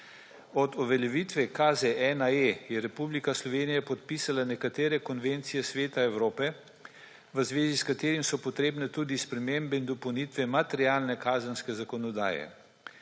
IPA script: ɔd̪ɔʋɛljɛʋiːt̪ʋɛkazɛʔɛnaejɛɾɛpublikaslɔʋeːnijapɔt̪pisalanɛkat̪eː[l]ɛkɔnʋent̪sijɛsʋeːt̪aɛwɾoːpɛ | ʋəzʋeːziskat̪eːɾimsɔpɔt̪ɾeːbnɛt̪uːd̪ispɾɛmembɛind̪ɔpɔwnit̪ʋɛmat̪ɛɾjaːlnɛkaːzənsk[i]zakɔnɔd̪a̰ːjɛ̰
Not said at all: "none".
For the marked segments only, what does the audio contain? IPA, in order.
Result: ɾ, ɛ

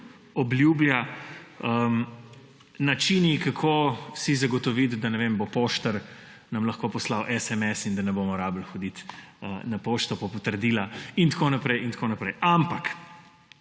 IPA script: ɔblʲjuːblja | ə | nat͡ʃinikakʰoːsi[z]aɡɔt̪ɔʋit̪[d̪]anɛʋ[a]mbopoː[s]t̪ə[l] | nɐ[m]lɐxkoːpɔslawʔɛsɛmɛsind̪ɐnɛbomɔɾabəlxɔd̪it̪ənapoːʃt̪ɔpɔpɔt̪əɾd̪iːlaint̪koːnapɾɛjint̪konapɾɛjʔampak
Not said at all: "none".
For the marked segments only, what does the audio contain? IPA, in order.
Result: z, d̪, e, ʃ, ɾ, m

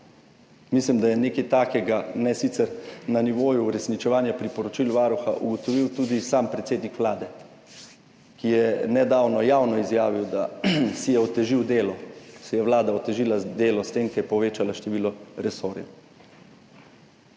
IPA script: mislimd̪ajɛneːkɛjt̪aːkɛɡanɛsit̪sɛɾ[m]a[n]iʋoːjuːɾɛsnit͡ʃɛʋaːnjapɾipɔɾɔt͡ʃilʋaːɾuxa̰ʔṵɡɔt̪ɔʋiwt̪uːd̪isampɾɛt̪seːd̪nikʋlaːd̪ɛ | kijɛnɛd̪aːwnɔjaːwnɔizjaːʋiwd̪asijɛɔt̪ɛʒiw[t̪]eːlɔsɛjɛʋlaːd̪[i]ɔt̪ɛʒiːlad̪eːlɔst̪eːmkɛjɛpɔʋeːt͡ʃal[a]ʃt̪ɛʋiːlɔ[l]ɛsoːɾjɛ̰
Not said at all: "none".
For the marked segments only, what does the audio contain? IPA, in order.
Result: n, n, d̪, a, a, ɾ

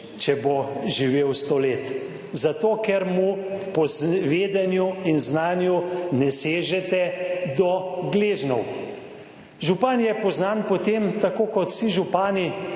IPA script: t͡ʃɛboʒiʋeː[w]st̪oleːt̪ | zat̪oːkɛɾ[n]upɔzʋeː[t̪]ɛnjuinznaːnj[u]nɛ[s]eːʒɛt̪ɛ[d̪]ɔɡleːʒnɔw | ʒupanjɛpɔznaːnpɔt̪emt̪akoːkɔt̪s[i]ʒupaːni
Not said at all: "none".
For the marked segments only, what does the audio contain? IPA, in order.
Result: w, m, d̪, u, s, d̪, i

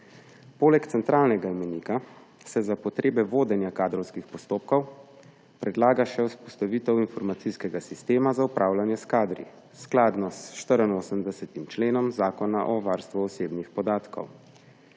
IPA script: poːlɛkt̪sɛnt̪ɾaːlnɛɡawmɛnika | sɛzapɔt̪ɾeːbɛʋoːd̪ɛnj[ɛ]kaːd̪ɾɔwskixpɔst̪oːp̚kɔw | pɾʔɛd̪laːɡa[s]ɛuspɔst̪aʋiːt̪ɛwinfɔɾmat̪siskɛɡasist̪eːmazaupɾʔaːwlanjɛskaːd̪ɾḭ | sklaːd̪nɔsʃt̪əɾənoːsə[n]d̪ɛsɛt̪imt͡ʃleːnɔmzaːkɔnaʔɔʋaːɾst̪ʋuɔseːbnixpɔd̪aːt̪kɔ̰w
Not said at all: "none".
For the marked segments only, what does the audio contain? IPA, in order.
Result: a, ʃ, m

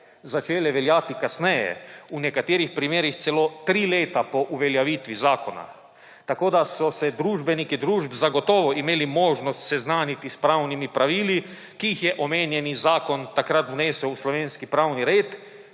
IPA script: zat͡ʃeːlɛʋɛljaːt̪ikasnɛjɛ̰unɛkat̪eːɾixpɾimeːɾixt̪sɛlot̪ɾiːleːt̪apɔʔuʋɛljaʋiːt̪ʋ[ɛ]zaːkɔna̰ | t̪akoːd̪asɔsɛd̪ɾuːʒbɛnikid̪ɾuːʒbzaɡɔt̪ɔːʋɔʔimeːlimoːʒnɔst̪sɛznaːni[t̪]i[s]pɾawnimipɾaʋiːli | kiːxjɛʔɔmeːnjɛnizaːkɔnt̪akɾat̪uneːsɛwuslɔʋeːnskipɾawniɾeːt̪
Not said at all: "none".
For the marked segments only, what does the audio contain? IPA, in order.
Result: i, t̪, s

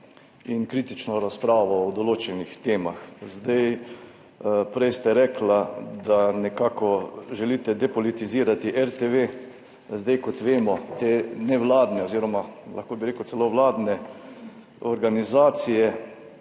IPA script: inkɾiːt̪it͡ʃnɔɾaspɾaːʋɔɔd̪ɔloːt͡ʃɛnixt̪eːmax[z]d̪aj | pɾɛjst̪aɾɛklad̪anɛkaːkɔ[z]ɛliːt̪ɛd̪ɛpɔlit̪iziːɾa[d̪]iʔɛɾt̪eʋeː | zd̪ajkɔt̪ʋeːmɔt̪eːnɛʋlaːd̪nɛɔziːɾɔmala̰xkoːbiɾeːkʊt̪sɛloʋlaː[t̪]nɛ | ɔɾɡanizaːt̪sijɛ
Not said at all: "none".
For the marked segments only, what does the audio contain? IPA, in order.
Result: z, ʒ, t̪, d̪

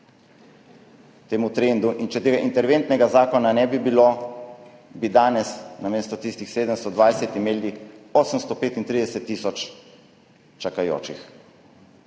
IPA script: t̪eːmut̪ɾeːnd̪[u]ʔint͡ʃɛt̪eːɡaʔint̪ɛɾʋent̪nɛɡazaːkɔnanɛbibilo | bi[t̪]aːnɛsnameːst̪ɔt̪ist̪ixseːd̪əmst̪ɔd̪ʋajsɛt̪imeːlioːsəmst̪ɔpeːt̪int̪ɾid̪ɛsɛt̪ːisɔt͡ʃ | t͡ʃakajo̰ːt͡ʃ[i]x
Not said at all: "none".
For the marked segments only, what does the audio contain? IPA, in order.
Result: u, d̪, i

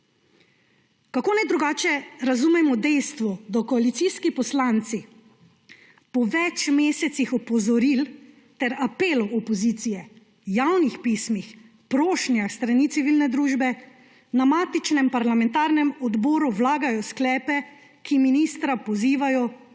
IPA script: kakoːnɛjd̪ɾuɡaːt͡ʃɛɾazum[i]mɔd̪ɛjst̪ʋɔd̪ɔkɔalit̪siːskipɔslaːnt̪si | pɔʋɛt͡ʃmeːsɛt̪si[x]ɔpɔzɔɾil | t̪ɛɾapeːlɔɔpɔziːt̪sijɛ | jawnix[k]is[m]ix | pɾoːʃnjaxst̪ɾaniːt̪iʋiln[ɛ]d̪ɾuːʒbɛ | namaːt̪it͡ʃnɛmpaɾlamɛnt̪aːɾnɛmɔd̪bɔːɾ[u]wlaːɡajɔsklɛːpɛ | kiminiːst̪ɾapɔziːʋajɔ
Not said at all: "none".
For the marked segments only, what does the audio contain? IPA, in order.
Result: ɛ, x, p, m, ɛ, u

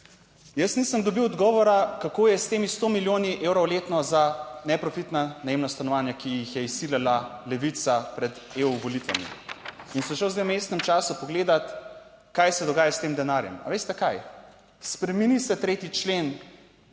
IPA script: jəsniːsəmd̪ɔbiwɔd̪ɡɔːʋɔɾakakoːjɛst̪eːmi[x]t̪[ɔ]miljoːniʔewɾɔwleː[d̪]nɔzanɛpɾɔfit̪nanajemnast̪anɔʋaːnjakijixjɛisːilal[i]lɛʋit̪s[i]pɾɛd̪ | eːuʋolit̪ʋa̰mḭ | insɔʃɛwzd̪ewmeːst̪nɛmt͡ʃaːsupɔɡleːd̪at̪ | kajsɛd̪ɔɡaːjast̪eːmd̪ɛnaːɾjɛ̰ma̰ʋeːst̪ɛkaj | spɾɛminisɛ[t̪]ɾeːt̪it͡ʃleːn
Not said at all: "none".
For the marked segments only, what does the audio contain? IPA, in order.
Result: s, o, t̪, a, a, t̪

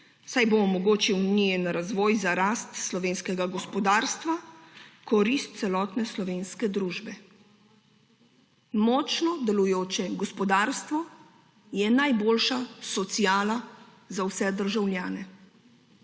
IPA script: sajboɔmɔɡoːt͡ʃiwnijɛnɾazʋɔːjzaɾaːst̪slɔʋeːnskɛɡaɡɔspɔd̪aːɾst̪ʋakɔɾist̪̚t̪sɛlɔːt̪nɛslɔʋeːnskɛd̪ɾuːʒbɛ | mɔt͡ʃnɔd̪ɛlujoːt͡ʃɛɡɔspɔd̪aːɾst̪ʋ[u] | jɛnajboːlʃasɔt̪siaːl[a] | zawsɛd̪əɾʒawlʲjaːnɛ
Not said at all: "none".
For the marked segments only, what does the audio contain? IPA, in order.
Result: ɔ, a

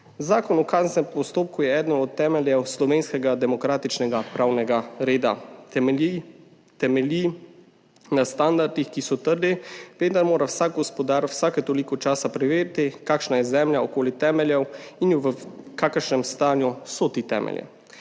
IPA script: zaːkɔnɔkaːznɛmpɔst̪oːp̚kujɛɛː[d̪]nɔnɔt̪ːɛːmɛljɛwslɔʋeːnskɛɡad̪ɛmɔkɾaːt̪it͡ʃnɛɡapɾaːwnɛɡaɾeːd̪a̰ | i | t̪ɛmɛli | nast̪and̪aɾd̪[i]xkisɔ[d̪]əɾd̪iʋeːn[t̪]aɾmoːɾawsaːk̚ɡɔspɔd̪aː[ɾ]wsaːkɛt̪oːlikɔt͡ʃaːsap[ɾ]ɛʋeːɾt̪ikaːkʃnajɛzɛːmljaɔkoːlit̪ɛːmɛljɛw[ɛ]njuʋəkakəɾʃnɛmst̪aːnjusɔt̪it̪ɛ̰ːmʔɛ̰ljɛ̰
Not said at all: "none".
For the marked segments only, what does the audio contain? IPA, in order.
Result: d̪, i, t̪, d̪, ɾ, ɾ, i

